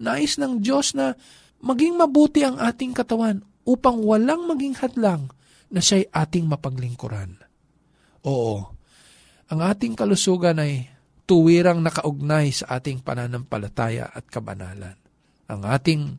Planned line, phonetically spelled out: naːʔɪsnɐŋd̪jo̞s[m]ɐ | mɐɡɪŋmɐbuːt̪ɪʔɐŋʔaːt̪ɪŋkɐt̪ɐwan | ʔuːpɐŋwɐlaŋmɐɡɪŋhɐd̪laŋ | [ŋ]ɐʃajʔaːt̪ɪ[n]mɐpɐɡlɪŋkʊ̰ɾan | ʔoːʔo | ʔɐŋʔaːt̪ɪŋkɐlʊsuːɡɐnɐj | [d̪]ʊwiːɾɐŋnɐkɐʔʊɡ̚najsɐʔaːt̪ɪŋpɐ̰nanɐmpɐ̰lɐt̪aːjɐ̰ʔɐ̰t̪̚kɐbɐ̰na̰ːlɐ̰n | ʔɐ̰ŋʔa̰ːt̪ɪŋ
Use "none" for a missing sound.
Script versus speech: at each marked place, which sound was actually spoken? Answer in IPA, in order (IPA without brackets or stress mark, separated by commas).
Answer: n, n, ŋ, t̪